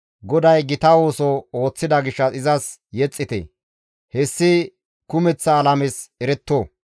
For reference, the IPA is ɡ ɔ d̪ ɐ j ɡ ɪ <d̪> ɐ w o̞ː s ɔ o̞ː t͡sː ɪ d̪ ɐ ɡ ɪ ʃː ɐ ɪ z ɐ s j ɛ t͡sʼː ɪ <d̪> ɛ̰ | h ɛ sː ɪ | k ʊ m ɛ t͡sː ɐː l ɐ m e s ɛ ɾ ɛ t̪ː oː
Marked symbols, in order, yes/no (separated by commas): no, no